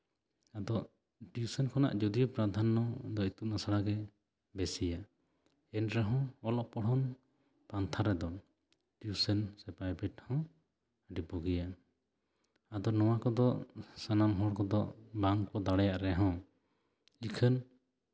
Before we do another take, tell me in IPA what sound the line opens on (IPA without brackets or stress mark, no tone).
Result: a